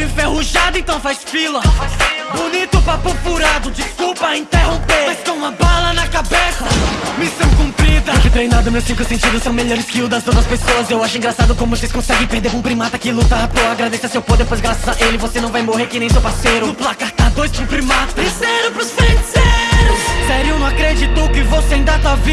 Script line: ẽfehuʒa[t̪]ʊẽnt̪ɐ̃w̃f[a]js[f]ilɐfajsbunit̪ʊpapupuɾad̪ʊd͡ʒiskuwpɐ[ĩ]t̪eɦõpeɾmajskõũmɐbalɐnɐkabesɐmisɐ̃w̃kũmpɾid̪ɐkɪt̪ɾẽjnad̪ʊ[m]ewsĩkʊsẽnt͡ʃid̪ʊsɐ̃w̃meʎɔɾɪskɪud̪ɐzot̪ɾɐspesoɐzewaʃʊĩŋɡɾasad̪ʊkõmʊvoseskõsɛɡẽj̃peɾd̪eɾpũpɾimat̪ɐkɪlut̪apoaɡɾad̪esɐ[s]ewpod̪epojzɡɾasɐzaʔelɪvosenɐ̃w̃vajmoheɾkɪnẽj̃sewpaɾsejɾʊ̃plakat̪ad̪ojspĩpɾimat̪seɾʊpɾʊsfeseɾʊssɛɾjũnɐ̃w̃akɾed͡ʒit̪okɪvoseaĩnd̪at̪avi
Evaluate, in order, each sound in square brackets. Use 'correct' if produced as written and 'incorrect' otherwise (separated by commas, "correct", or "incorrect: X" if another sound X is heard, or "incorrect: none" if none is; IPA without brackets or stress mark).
incorrect: d̪, correct, correct, correct, correct, correct